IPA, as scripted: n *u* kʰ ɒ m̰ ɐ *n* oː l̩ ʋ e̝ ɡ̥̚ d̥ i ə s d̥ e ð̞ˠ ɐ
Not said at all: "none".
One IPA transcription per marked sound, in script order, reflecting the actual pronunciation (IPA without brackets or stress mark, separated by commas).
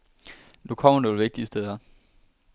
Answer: u, n